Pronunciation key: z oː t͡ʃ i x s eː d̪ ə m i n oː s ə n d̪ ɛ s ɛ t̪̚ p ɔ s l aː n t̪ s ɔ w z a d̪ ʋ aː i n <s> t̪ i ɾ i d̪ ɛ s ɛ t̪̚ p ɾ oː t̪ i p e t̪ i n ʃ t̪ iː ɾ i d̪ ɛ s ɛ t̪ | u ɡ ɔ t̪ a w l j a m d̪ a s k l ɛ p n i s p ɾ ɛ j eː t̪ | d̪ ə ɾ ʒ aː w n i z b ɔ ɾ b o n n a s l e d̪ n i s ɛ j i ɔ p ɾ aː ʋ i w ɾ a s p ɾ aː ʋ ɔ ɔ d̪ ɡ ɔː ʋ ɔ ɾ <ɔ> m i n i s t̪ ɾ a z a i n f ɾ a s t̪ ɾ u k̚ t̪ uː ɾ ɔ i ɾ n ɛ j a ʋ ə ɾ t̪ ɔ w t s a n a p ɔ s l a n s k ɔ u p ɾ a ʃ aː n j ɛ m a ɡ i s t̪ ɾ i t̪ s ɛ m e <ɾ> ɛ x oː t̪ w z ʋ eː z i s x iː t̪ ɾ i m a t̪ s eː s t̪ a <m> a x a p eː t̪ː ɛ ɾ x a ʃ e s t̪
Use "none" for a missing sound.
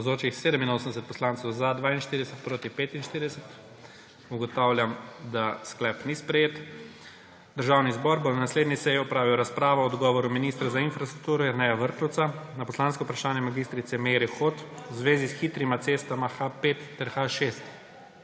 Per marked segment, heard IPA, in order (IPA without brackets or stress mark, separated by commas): ʃ, u, ɾ, m